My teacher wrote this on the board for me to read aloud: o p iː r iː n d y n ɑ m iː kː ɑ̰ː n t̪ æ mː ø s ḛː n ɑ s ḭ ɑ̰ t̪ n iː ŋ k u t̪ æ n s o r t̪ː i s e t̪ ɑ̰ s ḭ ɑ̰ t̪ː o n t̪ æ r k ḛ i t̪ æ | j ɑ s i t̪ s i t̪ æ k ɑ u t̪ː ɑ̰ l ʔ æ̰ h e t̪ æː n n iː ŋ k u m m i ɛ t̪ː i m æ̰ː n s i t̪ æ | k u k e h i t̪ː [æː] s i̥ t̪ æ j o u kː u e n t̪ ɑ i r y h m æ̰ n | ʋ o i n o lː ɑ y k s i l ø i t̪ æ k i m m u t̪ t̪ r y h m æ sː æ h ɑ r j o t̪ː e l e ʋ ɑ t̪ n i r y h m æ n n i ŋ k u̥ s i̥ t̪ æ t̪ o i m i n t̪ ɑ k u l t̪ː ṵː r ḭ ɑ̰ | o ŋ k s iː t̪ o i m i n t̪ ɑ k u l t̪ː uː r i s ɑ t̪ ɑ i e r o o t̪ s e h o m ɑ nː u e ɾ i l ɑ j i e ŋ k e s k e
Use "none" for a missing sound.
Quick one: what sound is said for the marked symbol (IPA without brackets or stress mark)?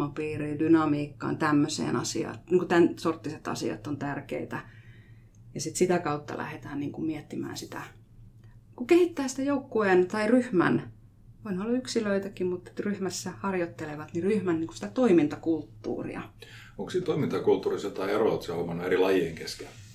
æː